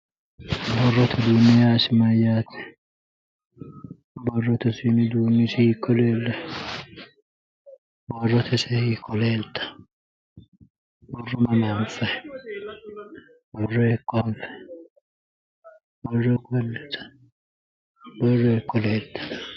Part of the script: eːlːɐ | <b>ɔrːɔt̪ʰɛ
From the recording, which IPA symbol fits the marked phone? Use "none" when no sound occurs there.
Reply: b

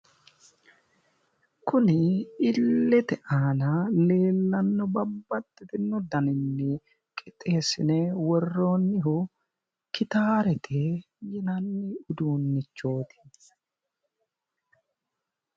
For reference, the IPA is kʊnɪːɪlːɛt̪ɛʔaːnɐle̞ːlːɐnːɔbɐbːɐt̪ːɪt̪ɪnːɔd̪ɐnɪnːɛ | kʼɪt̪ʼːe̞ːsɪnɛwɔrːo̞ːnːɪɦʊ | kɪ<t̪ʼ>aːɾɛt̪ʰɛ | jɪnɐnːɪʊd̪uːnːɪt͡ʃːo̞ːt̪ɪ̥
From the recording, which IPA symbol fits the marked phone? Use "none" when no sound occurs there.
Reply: t̪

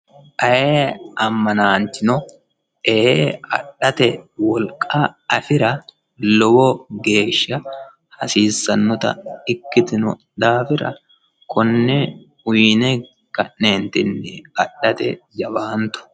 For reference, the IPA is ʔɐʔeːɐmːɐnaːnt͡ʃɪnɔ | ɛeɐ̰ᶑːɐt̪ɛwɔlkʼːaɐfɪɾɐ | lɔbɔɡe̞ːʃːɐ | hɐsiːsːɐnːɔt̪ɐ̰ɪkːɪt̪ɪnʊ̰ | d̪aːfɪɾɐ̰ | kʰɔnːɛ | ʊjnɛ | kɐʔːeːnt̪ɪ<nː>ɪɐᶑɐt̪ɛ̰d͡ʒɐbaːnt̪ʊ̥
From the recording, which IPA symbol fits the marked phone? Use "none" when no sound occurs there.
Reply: nː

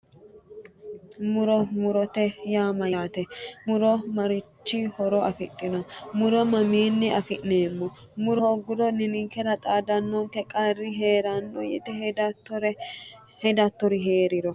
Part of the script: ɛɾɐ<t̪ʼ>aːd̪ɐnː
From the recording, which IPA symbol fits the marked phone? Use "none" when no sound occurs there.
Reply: t̪ʼ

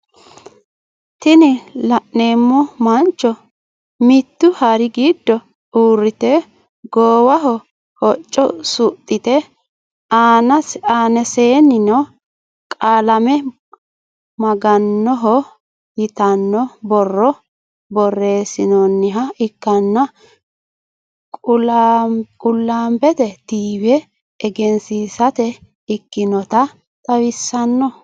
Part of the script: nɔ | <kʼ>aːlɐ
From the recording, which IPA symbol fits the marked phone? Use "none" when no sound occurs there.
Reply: kʼ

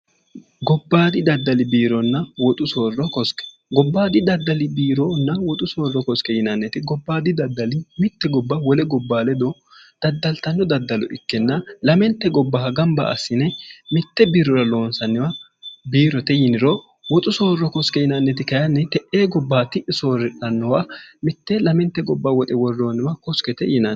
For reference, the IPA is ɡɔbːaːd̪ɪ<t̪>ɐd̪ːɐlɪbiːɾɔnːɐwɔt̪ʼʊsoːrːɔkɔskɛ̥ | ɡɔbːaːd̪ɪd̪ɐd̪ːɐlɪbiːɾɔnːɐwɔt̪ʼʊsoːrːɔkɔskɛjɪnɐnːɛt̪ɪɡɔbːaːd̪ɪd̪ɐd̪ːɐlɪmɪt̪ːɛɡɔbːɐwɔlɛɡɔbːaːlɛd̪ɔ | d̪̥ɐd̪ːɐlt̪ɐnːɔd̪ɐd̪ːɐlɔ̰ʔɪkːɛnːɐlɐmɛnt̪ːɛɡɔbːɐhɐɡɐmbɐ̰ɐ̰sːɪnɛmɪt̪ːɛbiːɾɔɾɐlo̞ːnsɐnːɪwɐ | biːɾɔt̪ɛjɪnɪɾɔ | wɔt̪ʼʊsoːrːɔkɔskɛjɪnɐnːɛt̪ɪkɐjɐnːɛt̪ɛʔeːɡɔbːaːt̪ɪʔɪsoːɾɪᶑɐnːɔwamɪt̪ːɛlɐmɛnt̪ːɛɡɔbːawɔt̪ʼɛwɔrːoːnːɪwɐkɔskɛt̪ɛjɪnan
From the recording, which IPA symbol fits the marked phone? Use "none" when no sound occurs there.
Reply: d̪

